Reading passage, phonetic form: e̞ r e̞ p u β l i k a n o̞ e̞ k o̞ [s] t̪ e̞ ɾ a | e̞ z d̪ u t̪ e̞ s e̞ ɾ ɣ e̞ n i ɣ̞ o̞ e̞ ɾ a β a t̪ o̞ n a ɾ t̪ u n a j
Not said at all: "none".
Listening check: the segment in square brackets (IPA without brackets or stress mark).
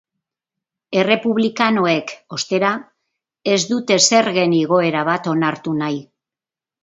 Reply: s